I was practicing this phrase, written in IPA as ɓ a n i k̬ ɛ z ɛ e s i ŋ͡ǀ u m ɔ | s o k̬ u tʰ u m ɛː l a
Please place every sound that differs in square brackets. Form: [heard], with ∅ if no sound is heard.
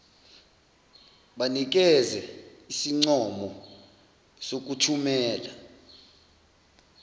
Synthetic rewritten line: ɓ a n i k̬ ɛ z ɛ [i] s i ŋ͡ǀ [ɔ] m ɔ | s o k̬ u tʰ u m ɛː l a